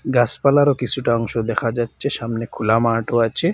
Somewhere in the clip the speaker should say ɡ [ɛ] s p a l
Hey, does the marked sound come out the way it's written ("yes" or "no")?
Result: no